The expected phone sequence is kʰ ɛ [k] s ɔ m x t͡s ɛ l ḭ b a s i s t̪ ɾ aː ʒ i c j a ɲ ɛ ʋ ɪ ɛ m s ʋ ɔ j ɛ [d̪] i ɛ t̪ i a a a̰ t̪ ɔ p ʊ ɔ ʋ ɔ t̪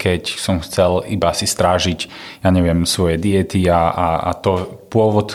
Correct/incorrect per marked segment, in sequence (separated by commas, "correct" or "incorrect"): incorrect, correct